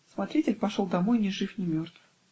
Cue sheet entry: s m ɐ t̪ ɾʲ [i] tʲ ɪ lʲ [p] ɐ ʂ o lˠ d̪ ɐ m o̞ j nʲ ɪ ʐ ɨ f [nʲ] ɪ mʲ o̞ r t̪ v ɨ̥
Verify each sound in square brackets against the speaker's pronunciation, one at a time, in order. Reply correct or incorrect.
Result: correct, correct, correct

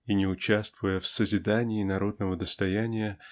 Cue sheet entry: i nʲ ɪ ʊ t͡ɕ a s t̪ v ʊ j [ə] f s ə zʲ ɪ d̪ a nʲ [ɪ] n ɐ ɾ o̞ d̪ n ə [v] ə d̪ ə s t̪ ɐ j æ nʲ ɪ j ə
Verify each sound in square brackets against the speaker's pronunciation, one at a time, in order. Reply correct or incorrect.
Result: correct, incorrect: ɪː, correct

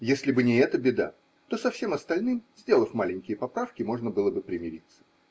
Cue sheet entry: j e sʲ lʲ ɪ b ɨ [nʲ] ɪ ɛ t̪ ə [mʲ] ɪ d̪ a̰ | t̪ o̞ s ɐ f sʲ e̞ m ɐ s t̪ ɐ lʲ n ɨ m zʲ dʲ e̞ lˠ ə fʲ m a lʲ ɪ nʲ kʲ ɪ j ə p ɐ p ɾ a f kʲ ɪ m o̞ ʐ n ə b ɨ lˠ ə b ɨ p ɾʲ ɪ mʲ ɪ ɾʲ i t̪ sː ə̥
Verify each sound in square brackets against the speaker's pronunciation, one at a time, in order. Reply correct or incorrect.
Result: correct, incorrect: bʲ

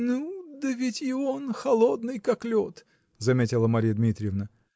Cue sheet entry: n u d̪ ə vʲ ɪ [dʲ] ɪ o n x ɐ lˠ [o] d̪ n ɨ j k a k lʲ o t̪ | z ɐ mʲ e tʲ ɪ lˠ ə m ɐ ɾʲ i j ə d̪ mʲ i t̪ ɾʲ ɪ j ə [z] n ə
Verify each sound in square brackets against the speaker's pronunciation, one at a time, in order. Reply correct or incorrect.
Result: incorrect: tʲ, correct, incorrect: v

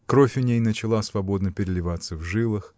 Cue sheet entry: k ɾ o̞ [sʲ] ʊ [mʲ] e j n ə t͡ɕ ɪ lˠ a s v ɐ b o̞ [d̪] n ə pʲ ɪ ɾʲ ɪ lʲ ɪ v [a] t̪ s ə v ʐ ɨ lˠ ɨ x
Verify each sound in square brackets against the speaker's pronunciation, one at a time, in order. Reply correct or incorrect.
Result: incorrect: fʲ, incorrect: nʲ, correct, correct

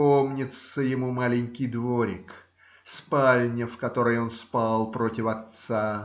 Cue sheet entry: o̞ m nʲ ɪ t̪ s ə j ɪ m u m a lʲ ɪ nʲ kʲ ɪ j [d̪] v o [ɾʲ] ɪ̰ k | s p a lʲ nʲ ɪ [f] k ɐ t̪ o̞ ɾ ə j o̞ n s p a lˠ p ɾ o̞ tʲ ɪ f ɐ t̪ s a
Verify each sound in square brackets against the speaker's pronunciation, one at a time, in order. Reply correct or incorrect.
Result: correct, correct, correct

